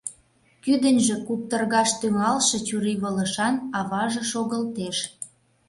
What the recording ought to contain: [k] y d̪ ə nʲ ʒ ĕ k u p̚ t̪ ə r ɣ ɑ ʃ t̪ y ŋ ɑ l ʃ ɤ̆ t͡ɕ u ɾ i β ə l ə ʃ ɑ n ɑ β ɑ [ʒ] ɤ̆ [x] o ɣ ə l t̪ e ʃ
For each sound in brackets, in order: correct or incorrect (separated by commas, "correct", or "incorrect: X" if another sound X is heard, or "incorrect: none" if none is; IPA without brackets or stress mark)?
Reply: correct, correct, incorrect: ʃ